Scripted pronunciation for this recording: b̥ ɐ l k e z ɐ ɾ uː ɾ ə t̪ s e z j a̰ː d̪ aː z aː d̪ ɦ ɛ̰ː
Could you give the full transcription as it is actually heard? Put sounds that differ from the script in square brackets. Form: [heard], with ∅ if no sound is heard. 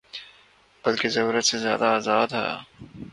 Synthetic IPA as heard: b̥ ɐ l k e z ɐ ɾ uː ɾ ə t̪ s e z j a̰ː d̪ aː z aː d̪ ɦ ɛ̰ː